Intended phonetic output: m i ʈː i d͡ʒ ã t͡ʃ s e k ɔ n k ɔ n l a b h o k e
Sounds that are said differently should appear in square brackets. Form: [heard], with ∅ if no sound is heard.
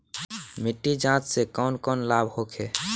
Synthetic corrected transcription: m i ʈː i d͡ʒ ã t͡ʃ s e k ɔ n k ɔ n l a b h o [kʰ] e